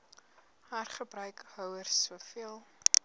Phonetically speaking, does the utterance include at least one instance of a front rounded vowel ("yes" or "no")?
yes